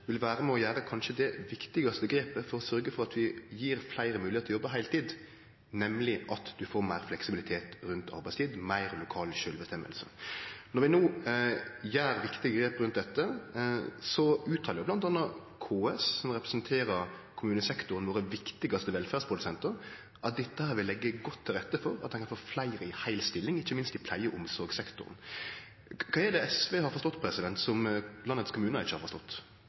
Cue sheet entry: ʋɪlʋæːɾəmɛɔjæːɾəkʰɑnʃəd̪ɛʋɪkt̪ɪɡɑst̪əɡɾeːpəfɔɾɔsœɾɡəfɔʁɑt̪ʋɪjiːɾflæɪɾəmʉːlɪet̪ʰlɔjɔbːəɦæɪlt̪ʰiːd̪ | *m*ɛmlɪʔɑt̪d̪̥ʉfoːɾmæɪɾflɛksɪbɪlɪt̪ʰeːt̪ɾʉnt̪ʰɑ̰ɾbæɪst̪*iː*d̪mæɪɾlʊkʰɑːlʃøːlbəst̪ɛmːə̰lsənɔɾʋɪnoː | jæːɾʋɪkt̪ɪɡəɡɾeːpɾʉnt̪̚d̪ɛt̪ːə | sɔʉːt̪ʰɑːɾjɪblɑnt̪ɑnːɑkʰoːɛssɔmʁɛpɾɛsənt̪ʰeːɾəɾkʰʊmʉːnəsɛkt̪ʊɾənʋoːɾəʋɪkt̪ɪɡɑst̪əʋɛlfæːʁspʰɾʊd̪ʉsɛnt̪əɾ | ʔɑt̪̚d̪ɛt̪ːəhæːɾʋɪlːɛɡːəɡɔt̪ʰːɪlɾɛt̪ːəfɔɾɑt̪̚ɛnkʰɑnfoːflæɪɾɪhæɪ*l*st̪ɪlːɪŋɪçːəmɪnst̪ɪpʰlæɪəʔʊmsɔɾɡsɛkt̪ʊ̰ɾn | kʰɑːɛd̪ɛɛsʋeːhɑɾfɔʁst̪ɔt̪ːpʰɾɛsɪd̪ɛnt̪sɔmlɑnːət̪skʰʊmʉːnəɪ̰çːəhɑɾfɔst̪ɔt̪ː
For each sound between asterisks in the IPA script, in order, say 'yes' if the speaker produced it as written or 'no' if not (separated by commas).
no, yes, yes